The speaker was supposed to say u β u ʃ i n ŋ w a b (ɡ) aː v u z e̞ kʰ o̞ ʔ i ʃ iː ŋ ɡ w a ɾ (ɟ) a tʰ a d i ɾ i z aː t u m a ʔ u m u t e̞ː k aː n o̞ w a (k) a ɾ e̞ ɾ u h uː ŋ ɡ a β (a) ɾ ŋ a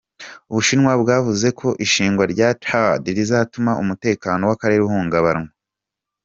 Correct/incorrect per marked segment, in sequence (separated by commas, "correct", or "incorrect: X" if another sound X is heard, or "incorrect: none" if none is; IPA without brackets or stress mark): correct, correct, correct, correct